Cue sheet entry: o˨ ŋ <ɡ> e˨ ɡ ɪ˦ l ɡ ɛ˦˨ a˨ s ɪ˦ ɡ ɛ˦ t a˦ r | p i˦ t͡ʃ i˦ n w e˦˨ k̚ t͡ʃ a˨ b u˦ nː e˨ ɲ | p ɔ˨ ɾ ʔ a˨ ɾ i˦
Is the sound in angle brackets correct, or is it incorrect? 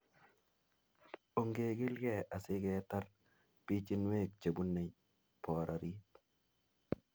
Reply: correct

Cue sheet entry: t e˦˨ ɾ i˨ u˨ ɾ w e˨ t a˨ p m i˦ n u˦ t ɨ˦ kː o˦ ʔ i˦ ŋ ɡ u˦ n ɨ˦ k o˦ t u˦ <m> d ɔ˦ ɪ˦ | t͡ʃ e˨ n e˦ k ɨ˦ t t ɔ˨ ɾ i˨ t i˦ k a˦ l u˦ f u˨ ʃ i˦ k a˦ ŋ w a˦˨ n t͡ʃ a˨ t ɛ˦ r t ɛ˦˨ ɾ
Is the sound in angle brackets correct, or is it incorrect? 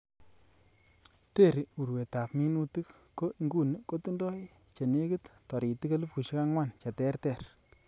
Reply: incorrect: n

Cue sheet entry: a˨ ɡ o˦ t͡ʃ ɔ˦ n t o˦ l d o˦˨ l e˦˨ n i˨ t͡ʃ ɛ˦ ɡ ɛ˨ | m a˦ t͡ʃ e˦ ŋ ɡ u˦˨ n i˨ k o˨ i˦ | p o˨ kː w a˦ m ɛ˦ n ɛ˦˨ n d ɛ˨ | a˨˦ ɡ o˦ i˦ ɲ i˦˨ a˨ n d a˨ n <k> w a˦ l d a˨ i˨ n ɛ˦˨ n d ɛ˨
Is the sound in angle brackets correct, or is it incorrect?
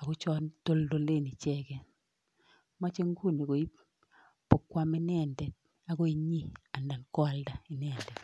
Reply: correct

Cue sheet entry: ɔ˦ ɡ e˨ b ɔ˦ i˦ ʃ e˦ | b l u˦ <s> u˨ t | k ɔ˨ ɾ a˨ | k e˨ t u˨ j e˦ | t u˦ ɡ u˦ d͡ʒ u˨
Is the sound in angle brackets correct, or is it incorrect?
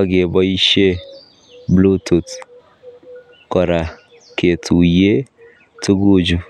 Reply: incorrect: t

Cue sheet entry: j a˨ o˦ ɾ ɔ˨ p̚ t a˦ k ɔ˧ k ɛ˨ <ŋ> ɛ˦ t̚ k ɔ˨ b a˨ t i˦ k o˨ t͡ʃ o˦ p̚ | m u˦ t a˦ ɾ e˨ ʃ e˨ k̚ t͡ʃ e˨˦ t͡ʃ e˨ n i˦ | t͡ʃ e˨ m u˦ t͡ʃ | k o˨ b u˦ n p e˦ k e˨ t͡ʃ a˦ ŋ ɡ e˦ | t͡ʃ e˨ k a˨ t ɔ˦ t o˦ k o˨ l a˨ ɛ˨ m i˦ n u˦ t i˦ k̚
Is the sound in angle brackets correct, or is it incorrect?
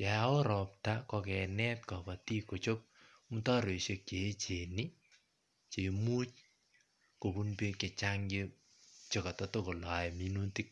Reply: incorrect: n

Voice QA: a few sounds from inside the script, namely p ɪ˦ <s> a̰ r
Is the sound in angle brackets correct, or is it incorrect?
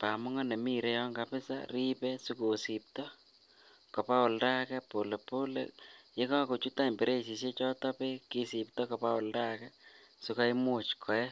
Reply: correct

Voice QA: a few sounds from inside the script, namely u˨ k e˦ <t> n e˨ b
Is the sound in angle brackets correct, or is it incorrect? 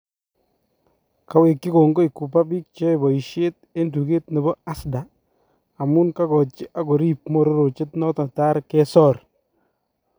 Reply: correct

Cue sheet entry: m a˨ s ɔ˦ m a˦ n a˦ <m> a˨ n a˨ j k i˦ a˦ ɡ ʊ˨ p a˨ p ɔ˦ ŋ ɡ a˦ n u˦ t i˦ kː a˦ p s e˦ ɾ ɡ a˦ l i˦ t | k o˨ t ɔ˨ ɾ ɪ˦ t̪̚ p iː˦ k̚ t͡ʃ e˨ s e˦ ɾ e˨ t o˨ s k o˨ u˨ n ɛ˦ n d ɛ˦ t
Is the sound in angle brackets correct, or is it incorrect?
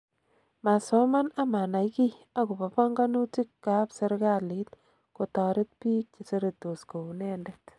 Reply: correct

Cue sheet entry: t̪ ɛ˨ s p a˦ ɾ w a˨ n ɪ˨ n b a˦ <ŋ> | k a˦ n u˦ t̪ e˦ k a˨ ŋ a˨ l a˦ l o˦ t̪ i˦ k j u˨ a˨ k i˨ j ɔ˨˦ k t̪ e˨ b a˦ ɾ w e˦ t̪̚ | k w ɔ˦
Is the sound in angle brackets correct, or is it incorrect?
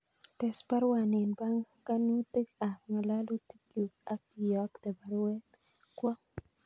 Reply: correct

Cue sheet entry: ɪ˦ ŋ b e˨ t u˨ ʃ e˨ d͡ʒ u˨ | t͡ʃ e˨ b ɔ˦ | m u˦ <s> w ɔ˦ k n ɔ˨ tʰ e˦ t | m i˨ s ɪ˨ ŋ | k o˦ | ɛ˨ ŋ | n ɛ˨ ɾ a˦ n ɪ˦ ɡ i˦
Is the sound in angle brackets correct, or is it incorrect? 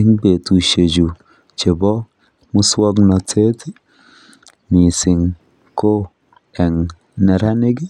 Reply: correct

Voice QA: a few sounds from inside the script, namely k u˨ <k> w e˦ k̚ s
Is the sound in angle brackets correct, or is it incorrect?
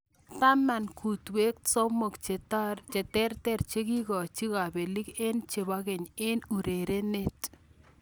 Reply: incorrect: t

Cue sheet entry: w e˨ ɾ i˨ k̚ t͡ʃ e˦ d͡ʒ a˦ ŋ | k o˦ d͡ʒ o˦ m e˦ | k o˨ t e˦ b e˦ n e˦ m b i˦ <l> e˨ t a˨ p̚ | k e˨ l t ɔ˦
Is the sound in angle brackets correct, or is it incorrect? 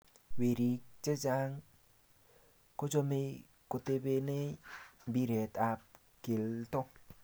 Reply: incorrect: ɾ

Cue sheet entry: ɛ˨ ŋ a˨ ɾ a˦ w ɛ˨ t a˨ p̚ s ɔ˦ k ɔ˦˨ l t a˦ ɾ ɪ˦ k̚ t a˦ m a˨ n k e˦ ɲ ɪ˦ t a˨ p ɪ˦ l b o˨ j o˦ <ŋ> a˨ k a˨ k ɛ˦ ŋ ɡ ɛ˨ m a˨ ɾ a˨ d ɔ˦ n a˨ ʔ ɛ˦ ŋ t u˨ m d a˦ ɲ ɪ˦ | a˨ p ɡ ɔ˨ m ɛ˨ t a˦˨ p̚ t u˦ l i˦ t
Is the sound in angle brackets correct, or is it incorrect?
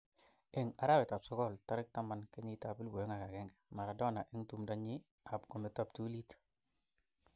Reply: correct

